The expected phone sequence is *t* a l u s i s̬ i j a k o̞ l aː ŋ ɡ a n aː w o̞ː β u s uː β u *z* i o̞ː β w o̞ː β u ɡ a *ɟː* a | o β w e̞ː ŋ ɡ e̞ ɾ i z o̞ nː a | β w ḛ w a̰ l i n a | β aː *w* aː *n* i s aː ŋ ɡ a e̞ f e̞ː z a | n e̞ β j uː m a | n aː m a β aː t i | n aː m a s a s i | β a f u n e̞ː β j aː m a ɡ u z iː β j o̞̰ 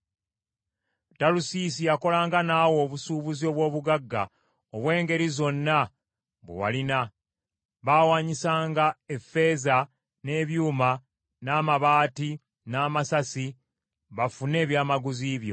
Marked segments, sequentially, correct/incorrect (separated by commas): correct, correct, incorrect, correct, incorrect